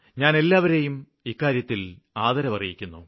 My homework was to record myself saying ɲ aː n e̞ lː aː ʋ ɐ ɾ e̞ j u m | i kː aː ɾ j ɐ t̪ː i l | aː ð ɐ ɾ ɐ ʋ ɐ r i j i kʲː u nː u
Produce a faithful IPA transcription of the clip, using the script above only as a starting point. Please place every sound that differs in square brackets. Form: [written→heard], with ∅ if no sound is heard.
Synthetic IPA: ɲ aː n e̞ lː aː ʋ ɐ ɾ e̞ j u m | i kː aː ɾ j ɐ t̪ː i l | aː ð ɐ ɾ ɐ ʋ ɐ r i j i kʲː u nː u